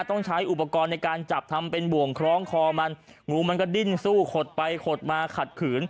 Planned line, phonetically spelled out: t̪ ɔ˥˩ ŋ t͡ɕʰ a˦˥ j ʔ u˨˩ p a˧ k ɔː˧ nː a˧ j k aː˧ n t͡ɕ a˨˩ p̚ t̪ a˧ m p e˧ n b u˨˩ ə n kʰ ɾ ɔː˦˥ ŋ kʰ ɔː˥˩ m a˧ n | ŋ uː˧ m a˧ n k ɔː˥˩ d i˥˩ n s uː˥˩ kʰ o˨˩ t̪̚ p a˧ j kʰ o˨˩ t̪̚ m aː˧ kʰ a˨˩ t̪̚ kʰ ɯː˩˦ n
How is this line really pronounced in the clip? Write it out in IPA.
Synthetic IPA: t̪ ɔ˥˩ ŋ t͡ɕʰ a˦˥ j ʔ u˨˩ p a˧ k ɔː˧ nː a˧ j k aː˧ n t͡ɕ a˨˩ p̚ t̪ʰ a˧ m p e˧ n b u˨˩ ə ŋ kʰ ɾ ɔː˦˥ ŋ kʰ ɔː˧ m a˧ n | ŋ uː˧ m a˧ n k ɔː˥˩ d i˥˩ n s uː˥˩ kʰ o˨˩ t̪̚ p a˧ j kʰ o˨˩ t̪̚ m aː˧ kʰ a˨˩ t̪̚ kʰ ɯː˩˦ n